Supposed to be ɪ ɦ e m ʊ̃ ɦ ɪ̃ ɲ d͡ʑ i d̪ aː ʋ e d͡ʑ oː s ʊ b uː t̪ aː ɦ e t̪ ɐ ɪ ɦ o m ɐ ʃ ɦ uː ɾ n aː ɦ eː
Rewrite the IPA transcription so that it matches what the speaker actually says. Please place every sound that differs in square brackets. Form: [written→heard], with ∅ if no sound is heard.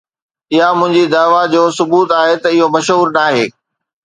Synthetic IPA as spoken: ɪ ɦ [e→a] m ʊ̃ ɦ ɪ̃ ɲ d͡ʑ i d̪ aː ʋ [e→a] d͡ʑ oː s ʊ b uː t̪ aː ɦ e t̪ ɐ ɪ ɦ o m ɐ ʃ ɦ uː ɾ n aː ɦ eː